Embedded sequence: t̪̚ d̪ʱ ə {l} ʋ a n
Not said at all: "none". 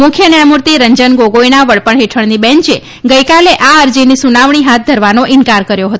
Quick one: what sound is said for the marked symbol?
ɾ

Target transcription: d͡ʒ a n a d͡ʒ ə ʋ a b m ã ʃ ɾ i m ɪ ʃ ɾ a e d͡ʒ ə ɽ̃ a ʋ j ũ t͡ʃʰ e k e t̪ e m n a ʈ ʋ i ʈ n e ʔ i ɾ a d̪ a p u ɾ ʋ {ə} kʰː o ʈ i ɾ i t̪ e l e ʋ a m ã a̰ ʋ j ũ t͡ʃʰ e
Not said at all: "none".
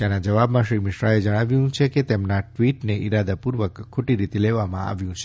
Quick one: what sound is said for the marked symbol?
ə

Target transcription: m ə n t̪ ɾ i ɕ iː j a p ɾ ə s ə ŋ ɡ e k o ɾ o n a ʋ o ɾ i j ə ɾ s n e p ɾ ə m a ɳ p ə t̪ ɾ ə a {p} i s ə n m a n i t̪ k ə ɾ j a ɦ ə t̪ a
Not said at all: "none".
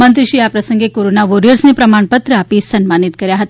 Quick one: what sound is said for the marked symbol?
p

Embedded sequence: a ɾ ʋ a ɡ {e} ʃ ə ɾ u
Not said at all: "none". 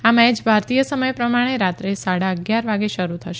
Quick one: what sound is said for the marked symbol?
e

